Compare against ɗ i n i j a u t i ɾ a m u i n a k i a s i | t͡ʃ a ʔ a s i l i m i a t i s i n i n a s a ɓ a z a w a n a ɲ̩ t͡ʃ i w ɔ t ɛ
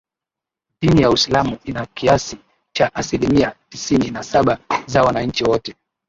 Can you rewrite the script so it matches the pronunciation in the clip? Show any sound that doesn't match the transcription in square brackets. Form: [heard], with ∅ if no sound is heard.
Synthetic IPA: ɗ i n i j a u [s] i [l] a m u i n a k i a s i | t͡ʃ a ʔ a s i l i m i a t i s i n i n a s a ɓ a z a w a n a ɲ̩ t͡ʃ i w ɔ t ɛ